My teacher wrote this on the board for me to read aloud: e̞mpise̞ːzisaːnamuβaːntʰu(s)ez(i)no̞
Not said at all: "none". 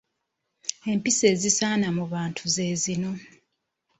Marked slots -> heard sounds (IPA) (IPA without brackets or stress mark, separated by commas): z, i